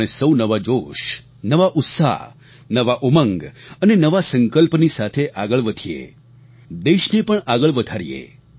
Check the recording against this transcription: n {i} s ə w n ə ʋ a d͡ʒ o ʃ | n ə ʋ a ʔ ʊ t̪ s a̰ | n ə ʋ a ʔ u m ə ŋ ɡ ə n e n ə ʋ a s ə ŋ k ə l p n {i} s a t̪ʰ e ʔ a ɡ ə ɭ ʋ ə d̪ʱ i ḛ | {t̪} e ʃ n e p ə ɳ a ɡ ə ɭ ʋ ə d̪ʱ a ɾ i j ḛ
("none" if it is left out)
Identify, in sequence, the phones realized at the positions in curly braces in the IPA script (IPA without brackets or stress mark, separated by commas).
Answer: e, i, d̪